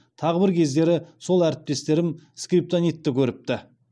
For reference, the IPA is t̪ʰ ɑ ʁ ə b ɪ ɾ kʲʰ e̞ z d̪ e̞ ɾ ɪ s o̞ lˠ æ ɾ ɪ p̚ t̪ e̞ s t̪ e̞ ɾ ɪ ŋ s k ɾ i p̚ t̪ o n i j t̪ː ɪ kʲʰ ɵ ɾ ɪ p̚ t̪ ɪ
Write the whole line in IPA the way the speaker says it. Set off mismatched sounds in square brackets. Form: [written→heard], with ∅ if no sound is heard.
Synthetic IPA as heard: t̪ʰ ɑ ʁ ə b ɪ ɾ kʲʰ e̞ z d̪ e̞ ɾ ɪ s o̞ lˠ æ ɾ ɪ p̚ t̪ e̞ s t̪ e̞ ɾ ɪ [ŋ→m] s k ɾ i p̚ t̪ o n i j t̪ː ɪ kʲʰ ɵ ɾ ɪ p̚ t̪ ɪ